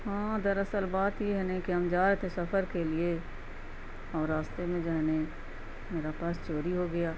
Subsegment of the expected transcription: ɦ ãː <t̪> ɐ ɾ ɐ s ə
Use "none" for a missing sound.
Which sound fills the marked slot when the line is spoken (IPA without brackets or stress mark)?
d̪